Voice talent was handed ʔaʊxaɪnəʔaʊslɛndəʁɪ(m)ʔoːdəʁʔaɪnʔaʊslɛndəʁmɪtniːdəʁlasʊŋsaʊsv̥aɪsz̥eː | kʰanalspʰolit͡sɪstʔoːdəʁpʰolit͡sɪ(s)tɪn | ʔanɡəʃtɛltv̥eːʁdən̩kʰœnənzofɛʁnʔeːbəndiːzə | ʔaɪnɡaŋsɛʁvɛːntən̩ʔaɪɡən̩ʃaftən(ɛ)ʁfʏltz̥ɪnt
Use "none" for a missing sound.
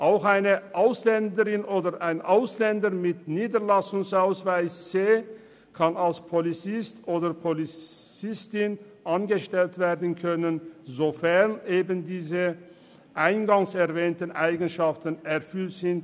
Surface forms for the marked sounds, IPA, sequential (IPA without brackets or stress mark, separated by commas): n, s, ɛ